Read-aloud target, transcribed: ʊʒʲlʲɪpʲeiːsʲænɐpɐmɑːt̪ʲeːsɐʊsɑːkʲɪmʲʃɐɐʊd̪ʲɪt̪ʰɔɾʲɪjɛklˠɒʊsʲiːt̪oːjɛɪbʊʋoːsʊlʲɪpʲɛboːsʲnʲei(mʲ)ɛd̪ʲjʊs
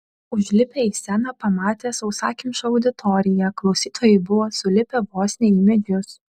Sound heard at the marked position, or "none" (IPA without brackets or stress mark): mʲ